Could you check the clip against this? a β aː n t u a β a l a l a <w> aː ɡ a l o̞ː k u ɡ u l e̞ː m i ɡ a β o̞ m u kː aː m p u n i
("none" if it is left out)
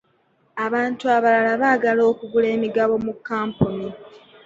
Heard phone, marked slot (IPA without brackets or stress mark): β